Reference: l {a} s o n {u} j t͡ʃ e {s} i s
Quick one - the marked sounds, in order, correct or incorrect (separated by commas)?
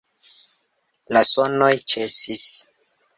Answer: correct, incorrect, correct